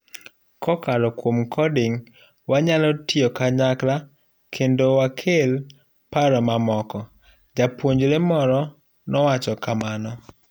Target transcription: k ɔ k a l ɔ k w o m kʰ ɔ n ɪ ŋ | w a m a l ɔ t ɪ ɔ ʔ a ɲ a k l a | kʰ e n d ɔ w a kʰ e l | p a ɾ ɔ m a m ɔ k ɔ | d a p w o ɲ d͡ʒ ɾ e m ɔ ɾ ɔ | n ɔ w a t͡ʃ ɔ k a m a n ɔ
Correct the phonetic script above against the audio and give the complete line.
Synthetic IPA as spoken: k ɔ k a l ɔ k w o m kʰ ɔ d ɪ ŋ | w a ɲ a l ɔ t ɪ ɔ k a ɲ a k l a | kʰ e n d o w a kʰ e l | p a ɾ ɔ m a m ɔ k ɔ | d͡ʒ a p w o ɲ d͡ʒ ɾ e m ɔ ɾ ɔ | n ɔ w a t͡ʃ ɔ k a m a n ɔ